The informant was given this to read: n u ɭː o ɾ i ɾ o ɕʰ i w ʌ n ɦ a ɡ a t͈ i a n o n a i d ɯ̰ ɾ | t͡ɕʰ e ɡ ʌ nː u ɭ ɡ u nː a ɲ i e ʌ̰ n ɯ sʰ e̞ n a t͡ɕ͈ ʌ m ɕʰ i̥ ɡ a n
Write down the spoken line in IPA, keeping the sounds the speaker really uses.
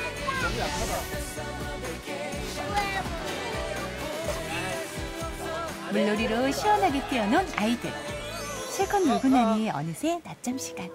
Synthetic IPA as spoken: m u ɭː o ɾ i ɾ o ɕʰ i w ʌ n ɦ a ɡ e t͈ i ʌ n o n a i d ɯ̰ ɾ | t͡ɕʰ e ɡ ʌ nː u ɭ ɡ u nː a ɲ i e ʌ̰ n ɯ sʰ e̞ n a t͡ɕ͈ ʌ m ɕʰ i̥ ɡ a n